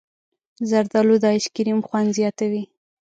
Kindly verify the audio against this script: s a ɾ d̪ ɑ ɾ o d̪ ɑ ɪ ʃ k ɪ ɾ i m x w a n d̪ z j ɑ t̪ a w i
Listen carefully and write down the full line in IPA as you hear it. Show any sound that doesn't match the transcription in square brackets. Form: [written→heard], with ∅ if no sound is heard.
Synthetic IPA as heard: [s→z] a ɾ d̪ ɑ [ɾ→l] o d̪ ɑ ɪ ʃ k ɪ ɾ i m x w a n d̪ z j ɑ t̪ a w i